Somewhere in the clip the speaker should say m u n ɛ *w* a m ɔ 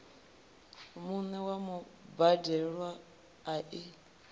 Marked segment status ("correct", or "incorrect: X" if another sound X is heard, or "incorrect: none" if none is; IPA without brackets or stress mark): correct